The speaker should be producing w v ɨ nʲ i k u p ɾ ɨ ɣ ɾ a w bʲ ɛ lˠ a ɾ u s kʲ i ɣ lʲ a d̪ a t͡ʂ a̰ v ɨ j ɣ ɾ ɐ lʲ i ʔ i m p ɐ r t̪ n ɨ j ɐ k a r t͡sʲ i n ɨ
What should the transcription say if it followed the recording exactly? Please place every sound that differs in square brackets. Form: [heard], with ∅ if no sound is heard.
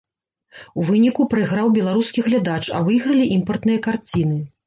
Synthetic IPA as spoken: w v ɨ nʲ i k u p ɾ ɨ ɣ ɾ a w bʲ ɛ lˠ a ɾ u s kʲ i ɣ lʲ a d̪ a t͡ʂ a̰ v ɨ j ɣ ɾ ɐ lʲ i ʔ i m p ɐ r t̪ n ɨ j ɐ k a r t͡sʲ i n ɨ